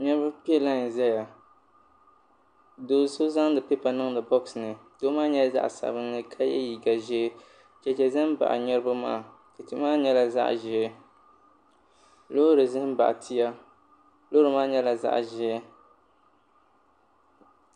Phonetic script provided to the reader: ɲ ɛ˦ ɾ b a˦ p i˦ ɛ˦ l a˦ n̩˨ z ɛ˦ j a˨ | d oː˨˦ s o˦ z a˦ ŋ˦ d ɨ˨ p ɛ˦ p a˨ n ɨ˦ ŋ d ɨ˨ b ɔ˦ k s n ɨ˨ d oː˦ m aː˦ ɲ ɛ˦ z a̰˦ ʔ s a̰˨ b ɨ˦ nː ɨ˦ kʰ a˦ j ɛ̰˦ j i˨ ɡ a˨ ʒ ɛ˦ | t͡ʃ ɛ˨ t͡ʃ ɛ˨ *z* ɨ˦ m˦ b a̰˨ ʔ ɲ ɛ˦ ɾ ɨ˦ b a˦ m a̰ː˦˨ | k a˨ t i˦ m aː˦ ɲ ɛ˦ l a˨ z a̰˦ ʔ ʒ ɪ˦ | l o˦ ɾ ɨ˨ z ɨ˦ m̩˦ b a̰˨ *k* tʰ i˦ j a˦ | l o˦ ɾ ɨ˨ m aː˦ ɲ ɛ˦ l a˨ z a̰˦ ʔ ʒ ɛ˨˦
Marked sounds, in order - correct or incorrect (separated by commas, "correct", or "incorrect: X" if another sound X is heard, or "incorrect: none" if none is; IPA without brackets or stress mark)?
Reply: correct, incorrect: ʔ